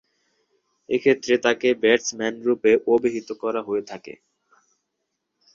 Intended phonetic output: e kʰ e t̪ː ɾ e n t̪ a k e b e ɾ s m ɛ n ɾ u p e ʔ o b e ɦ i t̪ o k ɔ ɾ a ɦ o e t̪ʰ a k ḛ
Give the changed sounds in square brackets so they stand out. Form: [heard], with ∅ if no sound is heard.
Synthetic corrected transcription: e kʰ e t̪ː ɾ e [∅] t̪ a k e b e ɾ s m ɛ n ɾ u p e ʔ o b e ɦ i t̪ o k ɔ ɾ a ɦ o e t̪ʰ a k ḛ